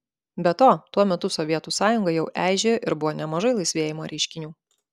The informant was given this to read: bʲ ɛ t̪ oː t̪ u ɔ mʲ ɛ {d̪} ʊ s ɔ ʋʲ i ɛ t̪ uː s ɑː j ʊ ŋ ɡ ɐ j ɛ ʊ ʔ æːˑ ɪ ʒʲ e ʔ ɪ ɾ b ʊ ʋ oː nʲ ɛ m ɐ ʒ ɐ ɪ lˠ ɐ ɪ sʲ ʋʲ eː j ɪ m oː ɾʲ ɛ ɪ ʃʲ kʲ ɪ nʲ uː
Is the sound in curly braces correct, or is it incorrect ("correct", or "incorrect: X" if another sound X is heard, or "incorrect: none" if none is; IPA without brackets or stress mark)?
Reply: incorrect: t̪